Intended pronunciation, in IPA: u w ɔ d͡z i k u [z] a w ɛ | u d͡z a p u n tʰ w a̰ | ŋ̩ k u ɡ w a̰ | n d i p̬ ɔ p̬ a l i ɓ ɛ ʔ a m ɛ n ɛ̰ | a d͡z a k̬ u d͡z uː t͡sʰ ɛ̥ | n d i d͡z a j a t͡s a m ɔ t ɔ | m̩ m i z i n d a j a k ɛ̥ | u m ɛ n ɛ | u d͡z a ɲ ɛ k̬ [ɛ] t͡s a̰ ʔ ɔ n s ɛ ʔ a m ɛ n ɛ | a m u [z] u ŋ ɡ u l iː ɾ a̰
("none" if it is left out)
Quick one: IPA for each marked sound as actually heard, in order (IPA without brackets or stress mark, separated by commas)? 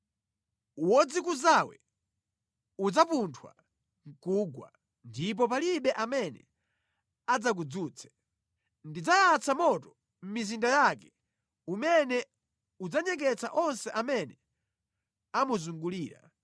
z, ɛ, z